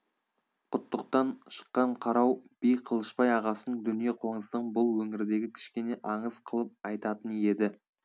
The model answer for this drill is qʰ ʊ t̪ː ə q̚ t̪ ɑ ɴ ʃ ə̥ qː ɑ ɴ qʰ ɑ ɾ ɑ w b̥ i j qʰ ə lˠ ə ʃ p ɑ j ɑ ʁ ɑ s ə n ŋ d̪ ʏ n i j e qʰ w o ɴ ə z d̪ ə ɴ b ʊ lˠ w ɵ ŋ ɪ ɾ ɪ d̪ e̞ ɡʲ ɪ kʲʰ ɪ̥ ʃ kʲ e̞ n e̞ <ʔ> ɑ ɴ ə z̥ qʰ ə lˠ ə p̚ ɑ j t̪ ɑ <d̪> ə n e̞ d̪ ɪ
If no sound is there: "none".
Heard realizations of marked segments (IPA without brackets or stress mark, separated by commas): ʔ, t̪